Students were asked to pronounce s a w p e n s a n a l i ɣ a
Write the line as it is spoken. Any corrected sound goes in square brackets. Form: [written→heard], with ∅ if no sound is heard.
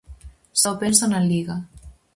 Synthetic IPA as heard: s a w p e n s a n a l i ɣ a

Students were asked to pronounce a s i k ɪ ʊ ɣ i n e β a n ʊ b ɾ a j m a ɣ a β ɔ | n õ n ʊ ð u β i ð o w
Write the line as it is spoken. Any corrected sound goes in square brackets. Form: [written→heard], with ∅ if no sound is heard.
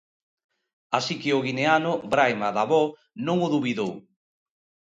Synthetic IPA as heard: a s i k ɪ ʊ ɣ i n e [β→∅] a n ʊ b ɾ a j m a [ɣ→ð] a β ɔ | n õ [n→ŋ] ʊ ð u β i ð o w

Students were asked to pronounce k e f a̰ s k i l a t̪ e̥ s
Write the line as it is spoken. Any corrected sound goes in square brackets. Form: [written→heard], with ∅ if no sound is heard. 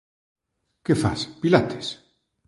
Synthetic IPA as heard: k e f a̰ s [k→p] i l a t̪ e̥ s

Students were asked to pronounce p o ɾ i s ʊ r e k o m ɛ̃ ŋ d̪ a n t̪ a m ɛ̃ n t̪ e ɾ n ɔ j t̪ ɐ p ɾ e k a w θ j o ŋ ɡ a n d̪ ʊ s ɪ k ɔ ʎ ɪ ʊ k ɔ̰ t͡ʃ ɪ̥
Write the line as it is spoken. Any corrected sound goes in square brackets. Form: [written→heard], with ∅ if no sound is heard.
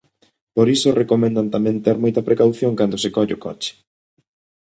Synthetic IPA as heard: p o ɾ i s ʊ r e k o m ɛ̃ [ŋ→n] d̪ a n t̪ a m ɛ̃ n t̪ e ɾ [n→m] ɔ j t̪ ɐ p ɾ e k a w θ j o ŋ [ɡ→k] a n d̪ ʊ s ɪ k ɔ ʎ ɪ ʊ k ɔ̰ t͡ʃ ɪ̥

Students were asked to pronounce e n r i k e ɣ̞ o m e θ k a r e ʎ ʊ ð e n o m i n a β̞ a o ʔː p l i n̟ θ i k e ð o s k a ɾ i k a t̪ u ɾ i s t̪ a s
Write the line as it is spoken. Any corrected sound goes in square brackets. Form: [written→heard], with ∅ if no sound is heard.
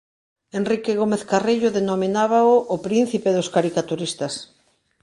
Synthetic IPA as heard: e n r i k e ɣ̞ o m e θ k a r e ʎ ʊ ð e n o m i n a β̞ a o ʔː p [l→ɾ] i n̟ θ i [k→p] e ð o s k a ɾ i k a t̪ u ɾ i s t̪ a s

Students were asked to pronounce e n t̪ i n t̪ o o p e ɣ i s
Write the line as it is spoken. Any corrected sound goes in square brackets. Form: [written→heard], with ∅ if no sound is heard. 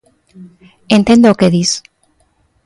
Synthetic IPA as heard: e n t̪ [i→e] n [t̪→d̪] o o [p→k] e [ɣ→ð] i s

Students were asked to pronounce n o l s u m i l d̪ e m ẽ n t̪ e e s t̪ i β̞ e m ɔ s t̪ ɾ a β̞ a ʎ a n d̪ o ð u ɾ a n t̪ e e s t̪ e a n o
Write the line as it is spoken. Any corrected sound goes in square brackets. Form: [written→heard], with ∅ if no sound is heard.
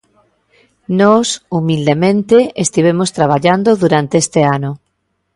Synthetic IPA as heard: n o [l→∅] s u m i l d̪ e m ẽ n t̪ e e s t̪ i β̞ e m [ɔ→o] s t̪ ɾ a β̞ a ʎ a n d̪ o ð u ɾ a n t̪ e e s t̪ e a n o

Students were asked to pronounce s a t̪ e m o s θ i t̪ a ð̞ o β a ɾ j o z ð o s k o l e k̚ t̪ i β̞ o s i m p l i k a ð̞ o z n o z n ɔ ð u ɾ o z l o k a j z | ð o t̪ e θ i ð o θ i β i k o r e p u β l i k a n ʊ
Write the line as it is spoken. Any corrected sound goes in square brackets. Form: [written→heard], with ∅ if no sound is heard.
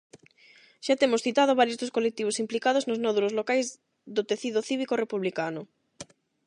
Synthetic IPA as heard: [s→ʃ] a t̪ e m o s θ i t̪ a ð̞ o β a ɾ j o z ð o s k o l e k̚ t̪ i β̞ o s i m p l i k a ð̞ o z n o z n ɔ ð u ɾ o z l o k a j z | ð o t̪ e θ i ð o θ i β i k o r e p u β l i k a n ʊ

